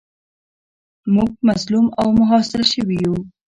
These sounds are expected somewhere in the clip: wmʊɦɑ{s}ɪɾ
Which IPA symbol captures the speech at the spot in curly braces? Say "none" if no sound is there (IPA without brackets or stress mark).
s